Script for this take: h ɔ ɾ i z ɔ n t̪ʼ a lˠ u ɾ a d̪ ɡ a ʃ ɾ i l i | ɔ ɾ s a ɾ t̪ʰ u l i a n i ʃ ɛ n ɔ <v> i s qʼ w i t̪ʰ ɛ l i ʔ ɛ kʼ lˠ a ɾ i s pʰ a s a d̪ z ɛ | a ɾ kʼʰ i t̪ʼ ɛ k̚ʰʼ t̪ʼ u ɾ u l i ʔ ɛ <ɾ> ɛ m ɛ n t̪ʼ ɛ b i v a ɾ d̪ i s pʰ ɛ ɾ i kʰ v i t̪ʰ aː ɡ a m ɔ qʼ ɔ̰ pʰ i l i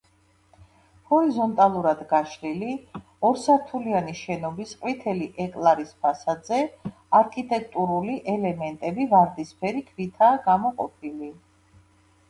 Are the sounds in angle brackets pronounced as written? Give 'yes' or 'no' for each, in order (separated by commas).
no, no